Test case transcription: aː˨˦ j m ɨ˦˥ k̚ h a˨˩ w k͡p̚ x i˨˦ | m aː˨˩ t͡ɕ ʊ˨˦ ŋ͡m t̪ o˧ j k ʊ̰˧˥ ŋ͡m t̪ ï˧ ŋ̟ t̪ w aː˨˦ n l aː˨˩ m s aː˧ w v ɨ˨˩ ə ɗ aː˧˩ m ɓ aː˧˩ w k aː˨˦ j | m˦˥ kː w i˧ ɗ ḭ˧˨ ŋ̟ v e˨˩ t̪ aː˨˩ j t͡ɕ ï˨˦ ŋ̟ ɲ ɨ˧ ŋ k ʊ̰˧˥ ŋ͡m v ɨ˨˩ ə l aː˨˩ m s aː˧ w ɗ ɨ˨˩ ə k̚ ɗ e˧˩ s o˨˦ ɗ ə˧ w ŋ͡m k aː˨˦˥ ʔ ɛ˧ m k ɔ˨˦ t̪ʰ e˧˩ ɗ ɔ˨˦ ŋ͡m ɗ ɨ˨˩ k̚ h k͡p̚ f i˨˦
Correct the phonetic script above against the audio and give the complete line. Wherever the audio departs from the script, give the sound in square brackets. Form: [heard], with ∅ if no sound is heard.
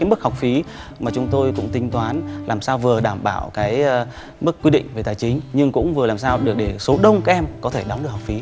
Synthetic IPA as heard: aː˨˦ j m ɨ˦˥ k̚ h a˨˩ w k͡p̚ [f] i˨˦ | m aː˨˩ t͡ɕ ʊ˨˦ ŋ͡m t̪ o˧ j k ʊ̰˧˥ ŋ͡m t̪ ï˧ ŋ̟ t̪ w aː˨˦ n l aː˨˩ m s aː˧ w v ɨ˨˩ ə ɗ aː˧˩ m ɓ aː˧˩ w k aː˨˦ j | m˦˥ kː w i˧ ɗ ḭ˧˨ ŋ̟ v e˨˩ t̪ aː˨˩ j t͡ɕ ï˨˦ ŋ̟ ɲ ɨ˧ ŋ k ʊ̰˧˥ ŋ͡m v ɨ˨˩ ə l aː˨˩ m s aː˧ w ɗ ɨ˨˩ ə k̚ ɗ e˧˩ s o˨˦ ɗ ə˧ w ŋ͡m k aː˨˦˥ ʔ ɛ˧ m k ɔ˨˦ t̪ʰ e˧˩ ɗ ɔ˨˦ ŋ͡m ɗ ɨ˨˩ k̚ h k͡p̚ f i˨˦

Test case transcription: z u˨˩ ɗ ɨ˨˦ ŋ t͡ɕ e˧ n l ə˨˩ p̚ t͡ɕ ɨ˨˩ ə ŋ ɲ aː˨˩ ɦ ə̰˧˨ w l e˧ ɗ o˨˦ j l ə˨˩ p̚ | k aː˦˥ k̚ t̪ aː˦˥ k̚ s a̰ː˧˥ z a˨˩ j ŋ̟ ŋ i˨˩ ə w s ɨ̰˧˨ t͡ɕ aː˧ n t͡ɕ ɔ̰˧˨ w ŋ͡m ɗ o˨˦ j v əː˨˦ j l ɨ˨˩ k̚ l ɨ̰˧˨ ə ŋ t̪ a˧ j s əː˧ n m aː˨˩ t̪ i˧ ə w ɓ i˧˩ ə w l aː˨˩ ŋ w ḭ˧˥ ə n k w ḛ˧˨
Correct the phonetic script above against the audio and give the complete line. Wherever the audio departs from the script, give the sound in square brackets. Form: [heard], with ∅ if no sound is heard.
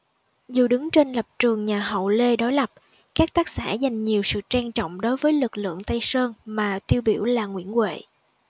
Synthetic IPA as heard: z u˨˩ ɗ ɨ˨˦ ŋ t͡ɕ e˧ n l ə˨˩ p̚ t͡ɕ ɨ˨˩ ə ŋ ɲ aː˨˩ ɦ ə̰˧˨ w l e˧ ɗ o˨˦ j l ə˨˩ p̚ | k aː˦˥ k̚ t̪ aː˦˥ k̚ s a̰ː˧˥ z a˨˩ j ŋ̟ [ɲ] i˨˩ ə w s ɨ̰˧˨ t͡ɕ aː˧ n t͡ɕ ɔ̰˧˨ w ŋ͡m ɗ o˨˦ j v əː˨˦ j l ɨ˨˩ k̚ l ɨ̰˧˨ ə ŋ t̪ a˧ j s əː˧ n m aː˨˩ t̪ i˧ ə w ɓ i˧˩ ə w l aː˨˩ ŋ w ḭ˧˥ ə n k w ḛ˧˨

